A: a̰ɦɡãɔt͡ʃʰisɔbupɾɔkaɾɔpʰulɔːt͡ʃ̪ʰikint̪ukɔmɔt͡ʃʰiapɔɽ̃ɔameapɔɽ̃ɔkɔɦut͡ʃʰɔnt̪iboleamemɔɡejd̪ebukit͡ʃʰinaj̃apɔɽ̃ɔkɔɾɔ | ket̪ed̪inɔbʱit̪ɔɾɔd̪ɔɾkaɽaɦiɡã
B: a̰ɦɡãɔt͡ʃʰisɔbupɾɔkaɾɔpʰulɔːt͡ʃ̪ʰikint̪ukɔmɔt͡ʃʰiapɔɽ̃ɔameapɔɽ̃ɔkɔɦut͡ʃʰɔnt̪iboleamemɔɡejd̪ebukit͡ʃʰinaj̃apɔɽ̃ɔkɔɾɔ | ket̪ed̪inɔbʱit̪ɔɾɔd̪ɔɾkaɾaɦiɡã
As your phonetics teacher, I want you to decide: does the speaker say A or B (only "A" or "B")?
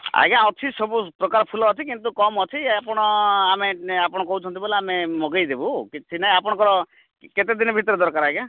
B